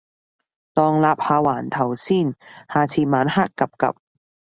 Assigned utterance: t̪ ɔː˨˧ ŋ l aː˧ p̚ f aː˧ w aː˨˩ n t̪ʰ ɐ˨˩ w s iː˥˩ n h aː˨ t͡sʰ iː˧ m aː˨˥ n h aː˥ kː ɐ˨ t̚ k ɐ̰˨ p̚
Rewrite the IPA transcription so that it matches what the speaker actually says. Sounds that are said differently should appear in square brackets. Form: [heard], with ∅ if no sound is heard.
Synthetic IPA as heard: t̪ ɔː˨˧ ŋ l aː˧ p̚ [h] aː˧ w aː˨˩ n t̪ʰ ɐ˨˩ w s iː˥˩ n h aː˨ t͡sʰ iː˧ m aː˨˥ n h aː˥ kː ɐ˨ [p̚] k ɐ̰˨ p̚